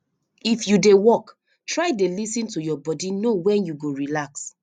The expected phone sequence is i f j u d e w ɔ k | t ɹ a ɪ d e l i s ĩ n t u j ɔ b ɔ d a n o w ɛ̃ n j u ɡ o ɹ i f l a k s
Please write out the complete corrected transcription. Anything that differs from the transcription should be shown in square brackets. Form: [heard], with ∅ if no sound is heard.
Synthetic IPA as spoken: i f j u d e w ɔ k | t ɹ a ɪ d e l i s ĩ n t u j ɔ b ɔ d [i] n o w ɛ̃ n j u ɡ o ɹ i [∅] l a k s